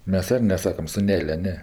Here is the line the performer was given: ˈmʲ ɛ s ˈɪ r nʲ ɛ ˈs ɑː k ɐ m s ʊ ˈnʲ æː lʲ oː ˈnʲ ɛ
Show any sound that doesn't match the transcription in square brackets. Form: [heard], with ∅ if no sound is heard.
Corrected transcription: ˈmʲ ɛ s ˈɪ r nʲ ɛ ˈs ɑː k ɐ m s ʊ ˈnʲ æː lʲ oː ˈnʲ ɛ